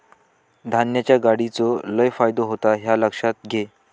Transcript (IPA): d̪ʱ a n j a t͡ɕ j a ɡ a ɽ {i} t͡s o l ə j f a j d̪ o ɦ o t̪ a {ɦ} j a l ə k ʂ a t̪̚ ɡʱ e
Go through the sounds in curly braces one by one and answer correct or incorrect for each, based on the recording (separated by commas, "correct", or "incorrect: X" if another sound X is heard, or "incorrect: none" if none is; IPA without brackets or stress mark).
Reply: correct, correct